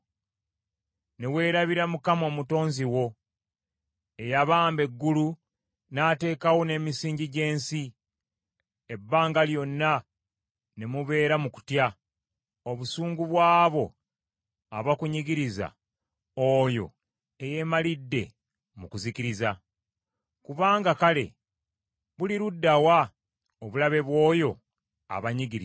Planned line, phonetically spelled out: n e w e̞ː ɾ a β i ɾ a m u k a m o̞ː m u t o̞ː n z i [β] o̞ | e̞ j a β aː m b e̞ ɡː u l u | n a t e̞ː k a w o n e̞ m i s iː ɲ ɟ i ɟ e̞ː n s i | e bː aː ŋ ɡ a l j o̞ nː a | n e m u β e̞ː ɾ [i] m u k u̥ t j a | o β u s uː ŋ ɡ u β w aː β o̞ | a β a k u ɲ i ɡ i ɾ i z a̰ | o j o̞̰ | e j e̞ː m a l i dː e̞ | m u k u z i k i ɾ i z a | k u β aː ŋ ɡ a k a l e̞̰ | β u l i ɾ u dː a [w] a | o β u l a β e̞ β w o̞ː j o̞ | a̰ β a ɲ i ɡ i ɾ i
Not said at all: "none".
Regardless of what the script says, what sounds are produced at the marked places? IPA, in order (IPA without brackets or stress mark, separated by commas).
w, a, w